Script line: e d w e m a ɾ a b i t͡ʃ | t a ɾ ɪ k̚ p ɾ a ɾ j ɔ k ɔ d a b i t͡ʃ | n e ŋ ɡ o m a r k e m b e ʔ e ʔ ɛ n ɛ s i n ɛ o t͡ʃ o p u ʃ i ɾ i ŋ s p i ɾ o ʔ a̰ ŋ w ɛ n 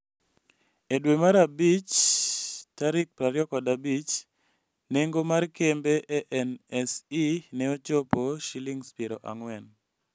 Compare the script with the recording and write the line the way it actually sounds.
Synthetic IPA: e d w e m a ɾ a b i t͡ʃ | t a ɾ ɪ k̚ p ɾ a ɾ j ɔ k ɔ d a b i t͡ʃ | n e ŋ ɡ o m a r k e m b e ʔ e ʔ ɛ n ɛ s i n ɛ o t͡ʃ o p o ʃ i l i ŋ s p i ɾ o ʔ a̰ ŋ w ɛ n